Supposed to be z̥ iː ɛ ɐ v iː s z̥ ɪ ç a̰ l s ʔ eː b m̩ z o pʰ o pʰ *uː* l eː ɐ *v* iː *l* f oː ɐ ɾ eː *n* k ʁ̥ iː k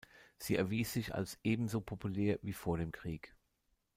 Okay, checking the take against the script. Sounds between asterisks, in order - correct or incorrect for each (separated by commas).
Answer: incorrect, correct, incorrect, incorrect